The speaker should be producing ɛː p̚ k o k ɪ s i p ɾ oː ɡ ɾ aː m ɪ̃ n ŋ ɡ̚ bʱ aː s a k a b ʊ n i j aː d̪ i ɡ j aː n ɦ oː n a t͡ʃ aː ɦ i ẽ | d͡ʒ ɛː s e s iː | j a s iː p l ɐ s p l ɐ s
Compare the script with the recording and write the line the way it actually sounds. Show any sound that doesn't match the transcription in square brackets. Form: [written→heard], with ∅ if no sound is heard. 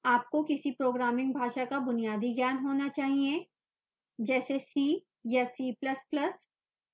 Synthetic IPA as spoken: [ɛː→aː] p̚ k o k ɪ s i p ɾ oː ɡ ɾ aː m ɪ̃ [n→∅] ŋ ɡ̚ bʱ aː [s→ʃ] a k a b ʊ n i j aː d̪ i ɡ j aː n ɦ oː n a t͡ʃ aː ɦ i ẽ | d͡ʒ ɛː s e s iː | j a s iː p l ɐ s p l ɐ s